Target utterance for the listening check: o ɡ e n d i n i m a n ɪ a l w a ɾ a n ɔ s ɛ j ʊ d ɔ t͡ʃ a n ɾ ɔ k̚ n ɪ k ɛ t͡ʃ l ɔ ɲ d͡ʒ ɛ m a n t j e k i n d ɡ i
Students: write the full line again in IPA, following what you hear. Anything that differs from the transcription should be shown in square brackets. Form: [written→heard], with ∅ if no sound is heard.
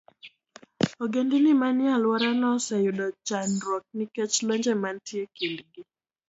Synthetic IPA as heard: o ɡ e n d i n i m a n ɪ a l w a ɾ a n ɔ s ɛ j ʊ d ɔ t͡ʃ a n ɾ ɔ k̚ n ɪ k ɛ t͡ʃ l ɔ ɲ d͡ʒ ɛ m a n t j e k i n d ɡ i